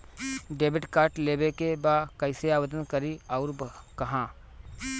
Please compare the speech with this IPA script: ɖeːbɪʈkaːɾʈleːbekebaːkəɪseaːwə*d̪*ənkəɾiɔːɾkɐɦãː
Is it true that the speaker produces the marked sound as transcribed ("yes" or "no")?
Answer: yes